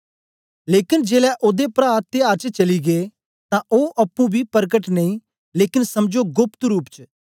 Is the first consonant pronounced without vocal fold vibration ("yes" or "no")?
no